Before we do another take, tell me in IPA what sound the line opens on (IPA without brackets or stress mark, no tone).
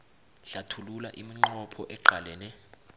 ɬ